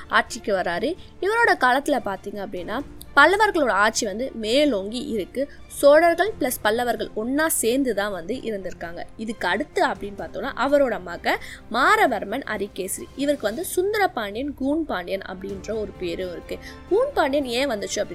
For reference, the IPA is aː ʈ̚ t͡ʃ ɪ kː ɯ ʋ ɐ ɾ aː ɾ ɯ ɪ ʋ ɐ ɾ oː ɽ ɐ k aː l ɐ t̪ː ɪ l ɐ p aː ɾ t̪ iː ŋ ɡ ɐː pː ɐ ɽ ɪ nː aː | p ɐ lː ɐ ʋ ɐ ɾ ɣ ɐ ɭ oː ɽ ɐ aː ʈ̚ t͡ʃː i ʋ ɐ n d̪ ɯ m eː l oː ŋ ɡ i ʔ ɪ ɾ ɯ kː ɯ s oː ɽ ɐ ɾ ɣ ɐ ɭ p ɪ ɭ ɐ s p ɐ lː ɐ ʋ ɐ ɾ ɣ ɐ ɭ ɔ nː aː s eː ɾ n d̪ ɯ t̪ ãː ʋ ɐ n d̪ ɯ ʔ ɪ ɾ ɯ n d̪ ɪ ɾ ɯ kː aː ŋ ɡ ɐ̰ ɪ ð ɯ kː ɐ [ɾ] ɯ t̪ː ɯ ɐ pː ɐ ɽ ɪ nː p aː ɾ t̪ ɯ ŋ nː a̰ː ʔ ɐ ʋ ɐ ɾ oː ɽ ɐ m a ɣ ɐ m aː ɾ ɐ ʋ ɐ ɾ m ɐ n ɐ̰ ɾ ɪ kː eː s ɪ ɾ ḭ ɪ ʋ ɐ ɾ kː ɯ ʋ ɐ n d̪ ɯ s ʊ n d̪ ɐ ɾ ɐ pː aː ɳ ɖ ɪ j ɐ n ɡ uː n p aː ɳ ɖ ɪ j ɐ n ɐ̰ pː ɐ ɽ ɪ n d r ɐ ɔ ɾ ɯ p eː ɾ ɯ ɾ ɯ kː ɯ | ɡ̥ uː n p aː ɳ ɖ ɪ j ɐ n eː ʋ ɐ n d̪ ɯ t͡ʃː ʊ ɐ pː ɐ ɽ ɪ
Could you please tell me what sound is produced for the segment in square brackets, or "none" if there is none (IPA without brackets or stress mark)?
ɽ